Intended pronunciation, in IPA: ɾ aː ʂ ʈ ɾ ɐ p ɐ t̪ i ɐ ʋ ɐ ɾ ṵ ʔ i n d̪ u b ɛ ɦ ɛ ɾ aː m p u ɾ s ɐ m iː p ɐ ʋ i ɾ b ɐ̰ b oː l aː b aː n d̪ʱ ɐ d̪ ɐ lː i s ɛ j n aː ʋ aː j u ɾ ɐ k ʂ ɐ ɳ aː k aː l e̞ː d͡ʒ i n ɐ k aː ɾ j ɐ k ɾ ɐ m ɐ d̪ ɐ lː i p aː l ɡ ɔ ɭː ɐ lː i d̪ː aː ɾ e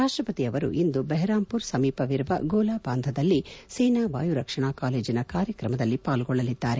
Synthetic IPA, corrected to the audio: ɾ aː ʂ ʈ ɾ ɐ p ɐ t̪ i ɐ ʋ ɐ ɾ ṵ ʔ i n d̪ u b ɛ ɦ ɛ ɾ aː m p u ɾ s ɐ m iː p ɐ ʋ i ɾ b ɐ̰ ɡ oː l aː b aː n d̪ʱ ɐ d̪ ɐ lː i s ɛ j n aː ʋ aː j u ɾ ɐ k ʂ ɐ ɳ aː k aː l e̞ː d͡ʒ i n ɐ k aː ɾ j ɐ k ɾ ɐ m ɐ d̪ ɐ lː i p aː l ɡ ɔ ɭː ɐ l i d̪ː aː ɾ e